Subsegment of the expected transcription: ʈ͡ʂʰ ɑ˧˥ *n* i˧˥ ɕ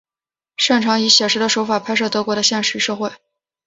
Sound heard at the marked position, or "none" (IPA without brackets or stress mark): ŋ